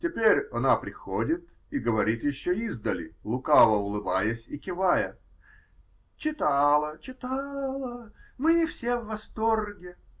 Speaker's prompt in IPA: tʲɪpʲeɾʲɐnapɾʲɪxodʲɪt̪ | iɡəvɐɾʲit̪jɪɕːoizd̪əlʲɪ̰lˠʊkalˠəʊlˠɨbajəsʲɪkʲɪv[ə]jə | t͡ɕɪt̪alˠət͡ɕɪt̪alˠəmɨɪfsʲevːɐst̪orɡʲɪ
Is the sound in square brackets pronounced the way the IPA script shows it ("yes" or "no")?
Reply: no